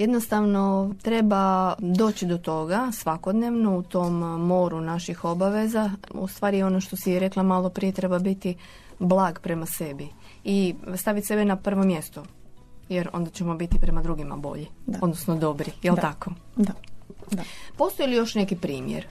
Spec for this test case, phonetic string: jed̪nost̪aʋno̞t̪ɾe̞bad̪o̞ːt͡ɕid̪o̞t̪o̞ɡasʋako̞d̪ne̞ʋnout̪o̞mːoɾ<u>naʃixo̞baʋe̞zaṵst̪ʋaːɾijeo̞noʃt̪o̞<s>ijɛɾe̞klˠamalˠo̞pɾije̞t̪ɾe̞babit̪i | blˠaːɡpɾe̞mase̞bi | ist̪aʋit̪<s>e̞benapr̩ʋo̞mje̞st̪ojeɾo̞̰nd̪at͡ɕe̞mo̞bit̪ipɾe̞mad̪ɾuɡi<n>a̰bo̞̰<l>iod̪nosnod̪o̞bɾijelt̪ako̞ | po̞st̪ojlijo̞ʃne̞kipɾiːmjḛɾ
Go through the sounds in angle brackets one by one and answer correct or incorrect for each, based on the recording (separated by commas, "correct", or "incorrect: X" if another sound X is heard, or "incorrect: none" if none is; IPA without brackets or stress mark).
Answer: correct, correct, correct, incorrect: m, incorrect: ʎ